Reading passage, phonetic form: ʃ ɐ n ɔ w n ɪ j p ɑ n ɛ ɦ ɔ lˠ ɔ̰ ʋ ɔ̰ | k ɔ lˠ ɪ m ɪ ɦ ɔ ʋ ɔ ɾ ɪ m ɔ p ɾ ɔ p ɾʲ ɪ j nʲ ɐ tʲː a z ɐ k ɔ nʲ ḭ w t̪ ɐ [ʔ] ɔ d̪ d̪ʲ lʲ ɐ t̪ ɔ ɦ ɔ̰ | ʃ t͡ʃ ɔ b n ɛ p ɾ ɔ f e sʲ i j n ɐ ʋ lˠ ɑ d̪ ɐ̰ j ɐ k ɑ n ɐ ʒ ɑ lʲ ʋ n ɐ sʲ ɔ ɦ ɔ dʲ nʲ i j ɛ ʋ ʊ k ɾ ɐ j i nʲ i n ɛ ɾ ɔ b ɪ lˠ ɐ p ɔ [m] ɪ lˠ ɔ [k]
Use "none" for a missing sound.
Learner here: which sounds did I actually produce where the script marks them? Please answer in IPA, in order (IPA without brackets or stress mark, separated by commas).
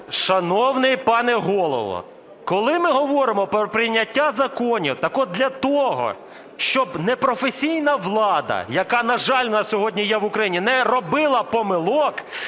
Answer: k, m, k